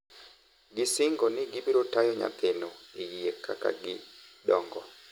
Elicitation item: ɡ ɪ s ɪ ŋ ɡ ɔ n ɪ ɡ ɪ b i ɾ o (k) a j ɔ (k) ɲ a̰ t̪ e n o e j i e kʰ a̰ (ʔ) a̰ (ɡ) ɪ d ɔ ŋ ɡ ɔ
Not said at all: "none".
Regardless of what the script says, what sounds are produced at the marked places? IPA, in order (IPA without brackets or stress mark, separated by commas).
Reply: t, none, k, ɡ